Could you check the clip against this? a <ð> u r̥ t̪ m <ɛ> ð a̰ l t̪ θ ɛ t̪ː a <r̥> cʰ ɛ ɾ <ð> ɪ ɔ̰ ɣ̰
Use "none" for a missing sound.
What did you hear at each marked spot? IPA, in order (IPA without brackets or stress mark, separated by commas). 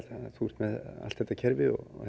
θ, ɛ, none, v